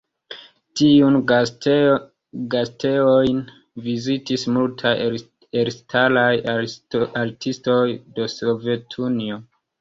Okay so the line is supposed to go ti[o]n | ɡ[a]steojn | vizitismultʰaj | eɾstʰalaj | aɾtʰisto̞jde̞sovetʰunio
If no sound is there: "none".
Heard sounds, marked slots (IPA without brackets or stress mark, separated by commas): u, a